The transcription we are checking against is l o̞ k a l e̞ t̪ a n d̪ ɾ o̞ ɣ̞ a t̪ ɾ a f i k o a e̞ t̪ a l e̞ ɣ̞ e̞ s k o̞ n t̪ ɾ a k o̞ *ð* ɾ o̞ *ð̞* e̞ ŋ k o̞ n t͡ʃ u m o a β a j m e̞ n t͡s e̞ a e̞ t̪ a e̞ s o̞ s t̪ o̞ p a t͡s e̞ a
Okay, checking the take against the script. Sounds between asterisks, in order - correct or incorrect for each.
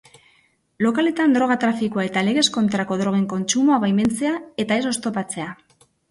correct, incorrect

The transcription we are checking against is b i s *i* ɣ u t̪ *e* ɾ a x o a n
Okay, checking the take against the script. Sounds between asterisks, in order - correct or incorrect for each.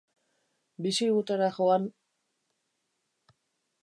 correct, correct

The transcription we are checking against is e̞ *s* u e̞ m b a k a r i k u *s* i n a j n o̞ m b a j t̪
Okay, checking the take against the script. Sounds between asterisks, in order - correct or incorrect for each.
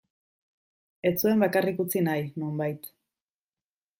incorrect, incorrect

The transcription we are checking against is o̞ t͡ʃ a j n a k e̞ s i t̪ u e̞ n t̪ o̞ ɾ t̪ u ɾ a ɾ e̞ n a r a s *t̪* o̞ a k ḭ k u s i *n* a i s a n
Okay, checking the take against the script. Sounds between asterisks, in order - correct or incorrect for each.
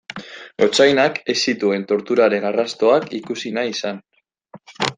correct, correct

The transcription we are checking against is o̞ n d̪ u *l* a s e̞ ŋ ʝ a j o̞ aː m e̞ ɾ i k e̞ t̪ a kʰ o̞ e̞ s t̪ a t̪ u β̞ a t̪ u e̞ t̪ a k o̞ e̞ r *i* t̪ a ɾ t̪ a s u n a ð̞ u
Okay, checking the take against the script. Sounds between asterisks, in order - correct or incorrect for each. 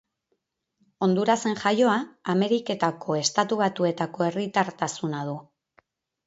incorrect, correct

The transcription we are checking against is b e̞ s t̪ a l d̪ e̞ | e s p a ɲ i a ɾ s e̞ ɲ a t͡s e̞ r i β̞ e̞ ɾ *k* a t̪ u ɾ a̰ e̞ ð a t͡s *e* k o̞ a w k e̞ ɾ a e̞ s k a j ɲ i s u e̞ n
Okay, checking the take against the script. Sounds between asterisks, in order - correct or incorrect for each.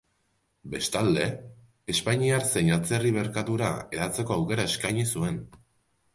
correct, correct

